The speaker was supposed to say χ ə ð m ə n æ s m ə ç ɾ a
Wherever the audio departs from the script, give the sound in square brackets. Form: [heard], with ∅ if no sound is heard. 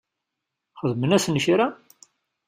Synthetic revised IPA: χ ə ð m ə n æ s [n] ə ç ɾ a